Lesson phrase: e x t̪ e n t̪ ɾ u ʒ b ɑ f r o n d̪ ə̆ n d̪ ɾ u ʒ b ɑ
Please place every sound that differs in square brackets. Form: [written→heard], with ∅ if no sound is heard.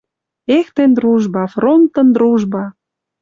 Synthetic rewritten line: e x t̪ e n [t̪→d̪] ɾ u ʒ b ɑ f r o n [d̪→t̪] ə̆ n d̪ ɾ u ʒ b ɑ